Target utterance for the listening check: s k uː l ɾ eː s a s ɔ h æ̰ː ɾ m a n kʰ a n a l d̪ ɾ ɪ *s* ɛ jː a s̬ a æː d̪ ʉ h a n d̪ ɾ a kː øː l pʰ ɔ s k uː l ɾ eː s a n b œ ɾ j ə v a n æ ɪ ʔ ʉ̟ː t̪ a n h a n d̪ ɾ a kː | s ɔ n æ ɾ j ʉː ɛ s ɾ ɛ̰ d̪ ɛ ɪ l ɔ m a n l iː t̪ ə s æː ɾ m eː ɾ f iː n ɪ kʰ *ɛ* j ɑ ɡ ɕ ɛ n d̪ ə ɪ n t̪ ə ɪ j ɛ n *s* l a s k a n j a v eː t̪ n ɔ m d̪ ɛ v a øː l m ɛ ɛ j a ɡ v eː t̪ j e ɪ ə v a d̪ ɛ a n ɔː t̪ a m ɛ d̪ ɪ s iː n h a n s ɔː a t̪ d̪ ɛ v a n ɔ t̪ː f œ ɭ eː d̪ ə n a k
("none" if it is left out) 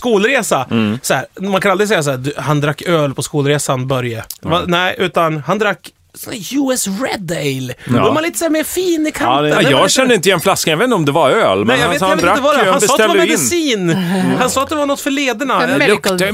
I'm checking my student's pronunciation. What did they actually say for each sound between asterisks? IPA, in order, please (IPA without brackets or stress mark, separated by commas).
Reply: s, a, f